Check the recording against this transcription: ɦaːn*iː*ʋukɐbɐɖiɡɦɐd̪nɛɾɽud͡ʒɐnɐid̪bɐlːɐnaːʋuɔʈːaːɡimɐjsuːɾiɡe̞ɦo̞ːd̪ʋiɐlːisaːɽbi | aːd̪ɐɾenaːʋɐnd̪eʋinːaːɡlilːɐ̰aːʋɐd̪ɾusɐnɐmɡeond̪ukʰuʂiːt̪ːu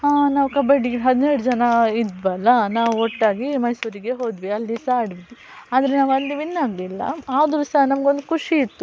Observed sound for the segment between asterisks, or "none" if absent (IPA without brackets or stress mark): aː